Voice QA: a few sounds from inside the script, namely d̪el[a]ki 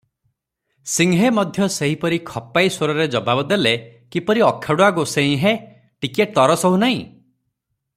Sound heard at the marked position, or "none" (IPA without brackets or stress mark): e